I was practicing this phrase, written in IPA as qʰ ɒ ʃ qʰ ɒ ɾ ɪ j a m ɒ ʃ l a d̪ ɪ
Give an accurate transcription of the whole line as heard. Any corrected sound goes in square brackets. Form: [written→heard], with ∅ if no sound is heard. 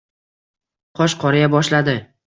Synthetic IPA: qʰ ɒ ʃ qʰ ɒ ɾ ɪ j a [m→b] ɒ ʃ l a d̪ ɪ